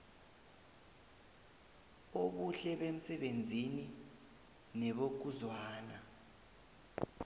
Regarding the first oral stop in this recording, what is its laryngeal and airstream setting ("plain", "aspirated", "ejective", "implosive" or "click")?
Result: implosive